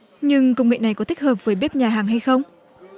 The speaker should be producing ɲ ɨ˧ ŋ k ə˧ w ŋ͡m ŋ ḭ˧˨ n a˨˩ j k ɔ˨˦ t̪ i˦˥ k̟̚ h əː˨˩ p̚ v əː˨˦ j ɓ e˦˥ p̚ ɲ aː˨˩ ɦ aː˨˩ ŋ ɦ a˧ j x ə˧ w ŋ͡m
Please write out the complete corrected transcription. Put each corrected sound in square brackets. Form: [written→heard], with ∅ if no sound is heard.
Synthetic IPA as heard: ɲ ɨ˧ ŋ k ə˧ w ŋ͡m ŋ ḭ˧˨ n a˨˩ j k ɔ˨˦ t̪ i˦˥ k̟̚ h əː˨˩ p̚ v əː˨˦ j ɓ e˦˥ p̚ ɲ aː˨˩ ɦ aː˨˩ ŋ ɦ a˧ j x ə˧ w ŋ͡m